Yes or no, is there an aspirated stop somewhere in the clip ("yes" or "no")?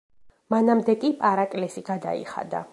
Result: no